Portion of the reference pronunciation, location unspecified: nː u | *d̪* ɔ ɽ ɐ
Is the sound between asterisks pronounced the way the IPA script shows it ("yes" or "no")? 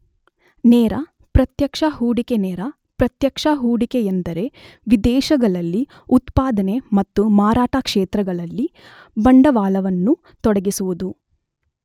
no